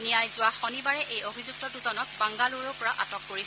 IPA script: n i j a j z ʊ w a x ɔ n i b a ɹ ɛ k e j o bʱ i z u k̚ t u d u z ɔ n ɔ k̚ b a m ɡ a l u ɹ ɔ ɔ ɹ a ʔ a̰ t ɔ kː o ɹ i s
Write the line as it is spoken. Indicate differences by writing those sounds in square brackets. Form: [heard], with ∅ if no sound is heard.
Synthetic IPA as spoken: n i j a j z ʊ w a x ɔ n i b a ɹ ɛ [ʔ] e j o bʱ i z u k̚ t [ɔ] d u z ɔ n ɔ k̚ b a [ŋ] ɡ a l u ɹ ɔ ɔ ɹ a ʔ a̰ t ɔ kː o ɹ i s

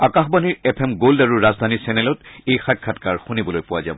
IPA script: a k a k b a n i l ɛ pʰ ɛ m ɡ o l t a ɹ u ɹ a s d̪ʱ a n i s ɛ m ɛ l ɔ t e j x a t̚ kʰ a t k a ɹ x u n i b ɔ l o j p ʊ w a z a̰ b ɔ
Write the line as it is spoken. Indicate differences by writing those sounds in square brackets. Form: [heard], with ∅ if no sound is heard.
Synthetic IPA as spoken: a k a [x] b a n i [ɹ] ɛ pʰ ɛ m ɡ o l [d] a ɹ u ɹ a [z] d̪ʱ a n i s ɛ [n] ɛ l ɔ t e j x a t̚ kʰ a t k a ɹ x u n i b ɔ l o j p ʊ w a z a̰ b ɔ

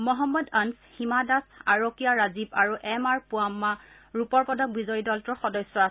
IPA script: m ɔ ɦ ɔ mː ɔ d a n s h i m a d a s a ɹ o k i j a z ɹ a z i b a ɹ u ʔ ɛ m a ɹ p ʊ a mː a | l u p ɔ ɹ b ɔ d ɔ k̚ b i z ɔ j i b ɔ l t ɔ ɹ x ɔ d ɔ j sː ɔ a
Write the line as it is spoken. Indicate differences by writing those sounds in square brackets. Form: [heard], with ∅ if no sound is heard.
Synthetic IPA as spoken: m ɔ ɦ ɔ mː ɔ d a n s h i m a d a s a ɹ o k i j a [∅] ɹ a z i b a ɹ u ʔ ɛ m a ɹ p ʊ a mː a | [ɹ] u p ɔ ɹ [p] ɔ d ɔ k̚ b i z ɔ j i [d] ɔ l t ɔ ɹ x ɔ d ɔ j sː ɔ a

